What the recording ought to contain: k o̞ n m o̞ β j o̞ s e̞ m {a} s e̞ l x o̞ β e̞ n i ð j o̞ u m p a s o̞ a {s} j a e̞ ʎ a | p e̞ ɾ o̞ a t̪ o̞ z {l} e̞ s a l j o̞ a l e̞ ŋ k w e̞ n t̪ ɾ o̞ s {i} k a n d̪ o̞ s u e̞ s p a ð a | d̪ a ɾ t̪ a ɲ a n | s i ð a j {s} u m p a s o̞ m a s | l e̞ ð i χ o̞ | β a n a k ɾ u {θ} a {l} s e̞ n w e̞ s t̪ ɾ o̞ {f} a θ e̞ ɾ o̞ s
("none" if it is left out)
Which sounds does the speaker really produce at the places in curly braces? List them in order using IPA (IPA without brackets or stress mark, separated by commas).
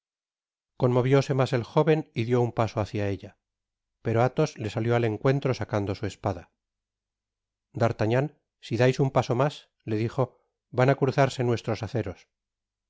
a, θ, l, a, s, θ, ɾ, s